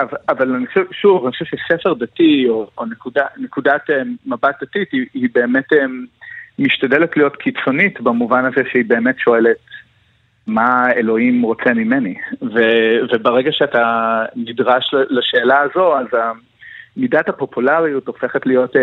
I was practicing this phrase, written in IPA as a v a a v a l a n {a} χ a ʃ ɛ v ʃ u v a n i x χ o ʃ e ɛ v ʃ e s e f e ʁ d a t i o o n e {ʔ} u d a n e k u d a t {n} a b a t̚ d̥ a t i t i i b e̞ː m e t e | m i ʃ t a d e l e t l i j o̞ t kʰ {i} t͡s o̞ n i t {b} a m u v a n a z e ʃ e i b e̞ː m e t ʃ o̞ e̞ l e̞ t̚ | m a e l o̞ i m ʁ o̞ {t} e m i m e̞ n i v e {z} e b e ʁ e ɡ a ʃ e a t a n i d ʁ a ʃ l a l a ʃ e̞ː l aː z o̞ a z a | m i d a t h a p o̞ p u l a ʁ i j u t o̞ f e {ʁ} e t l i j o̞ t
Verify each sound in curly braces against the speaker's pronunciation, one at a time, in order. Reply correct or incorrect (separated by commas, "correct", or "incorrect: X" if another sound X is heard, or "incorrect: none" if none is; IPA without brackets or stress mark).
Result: incorrect: i, incorrect: k, incorrect: m, correct, correct, incorrect: t͡s, incorrect: v, incorrect: χ